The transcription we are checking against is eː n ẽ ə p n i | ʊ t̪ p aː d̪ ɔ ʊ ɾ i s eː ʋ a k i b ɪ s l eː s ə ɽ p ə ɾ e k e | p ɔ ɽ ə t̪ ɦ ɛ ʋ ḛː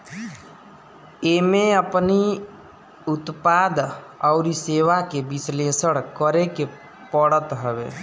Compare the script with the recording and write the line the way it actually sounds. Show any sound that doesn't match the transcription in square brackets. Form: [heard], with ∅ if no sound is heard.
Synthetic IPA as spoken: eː [m] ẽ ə p n i | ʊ t̪ p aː d̪ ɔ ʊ ɾ i s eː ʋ a k [e] b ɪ s l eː s ə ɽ [k] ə ɾ e k e | p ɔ ɽ ə t̪ ɦ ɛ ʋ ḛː